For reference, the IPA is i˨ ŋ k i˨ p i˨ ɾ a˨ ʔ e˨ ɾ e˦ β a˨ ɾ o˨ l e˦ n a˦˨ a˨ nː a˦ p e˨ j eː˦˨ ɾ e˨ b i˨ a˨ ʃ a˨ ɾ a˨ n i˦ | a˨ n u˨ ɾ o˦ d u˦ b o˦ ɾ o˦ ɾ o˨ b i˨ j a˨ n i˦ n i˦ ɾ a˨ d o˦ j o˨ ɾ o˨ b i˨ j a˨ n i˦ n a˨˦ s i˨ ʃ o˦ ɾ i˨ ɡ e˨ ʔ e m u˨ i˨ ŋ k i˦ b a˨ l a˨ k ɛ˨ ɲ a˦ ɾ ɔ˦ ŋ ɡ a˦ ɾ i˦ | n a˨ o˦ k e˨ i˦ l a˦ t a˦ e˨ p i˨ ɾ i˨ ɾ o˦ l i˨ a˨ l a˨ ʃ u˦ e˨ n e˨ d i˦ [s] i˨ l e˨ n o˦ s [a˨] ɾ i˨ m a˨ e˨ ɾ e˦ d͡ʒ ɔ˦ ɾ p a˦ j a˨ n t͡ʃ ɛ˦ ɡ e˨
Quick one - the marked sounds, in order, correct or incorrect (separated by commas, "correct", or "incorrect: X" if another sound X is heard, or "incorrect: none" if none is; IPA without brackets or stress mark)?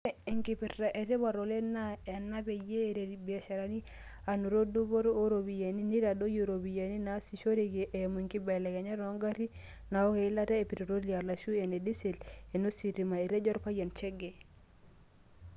correct, incorrect: i˨